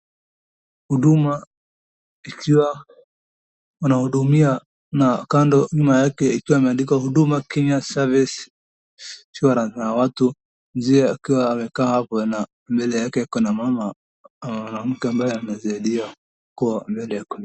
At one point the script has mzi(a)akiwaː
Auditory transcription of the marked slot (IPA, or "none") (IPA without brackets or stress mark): ɛ